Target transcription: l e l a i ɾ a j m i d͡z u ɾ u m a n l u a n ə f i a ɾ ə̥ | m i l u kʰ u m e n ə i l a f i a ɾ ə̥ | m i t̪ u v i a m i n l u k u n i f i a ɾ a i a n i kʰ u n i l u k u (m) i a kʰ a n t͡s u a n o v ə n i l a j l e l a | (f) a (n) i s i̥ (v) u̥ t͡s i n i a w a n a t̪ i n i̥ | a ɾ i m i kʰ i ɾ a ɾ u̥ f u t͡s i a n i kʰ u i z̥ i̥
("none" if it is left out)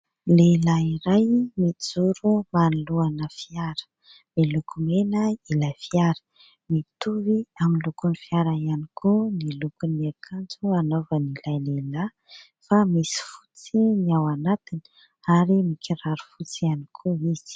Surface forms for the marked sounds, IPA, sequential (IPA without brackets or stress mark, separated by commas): n, f, m, f